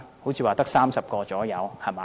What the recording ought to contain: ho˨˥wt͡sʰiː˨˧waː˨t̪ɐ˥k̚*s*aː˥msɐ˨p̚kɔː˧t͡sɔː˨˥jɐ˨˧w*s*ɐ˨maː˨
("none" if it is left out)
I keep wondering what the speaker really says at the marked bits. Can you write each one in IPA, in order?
s, h

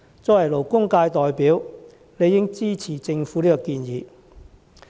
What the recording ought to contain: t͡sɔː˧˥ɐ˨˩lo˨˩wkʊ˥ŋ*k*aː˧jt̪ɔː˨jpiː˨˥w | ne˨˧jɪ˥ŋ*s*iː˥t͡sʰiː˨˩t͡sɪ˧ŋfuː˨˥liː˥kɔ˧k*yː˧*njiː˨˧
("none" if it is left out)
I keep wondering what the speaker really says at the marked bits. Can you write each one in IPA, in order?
k, t͡s, iː˧

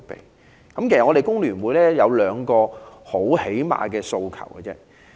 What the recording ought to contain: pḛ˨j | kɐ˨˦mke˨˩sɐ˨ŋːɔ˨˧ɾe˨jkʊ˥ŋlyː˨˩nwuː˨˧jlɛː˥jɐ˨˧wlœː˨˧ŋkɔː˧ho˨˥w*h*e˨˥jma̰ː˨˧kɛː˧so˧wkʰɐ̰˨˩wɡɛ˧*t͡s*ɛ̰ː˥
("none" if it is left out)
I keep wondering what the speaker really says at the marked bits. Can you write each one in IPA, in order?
h, t͡s

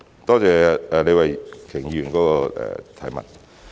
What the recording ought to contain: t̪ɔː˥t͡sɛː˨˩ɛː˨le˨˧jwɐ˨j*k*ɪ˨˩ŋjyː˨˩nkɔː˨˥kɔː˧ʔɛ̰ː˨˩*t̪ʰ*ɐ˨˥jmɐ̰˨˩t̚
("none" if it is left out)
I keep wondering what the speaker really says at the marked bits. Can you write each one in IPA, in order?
kʰ, t̪ʰ

